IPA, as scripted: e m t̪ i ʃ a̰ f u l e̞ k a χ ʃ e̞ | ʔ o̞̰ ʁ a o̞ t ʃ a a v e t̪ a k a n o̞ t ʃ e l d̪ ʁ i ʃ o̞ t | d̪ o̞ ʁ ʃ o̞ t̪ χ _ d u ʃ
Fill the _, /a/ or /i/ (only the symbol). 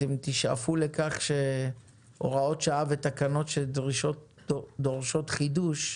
i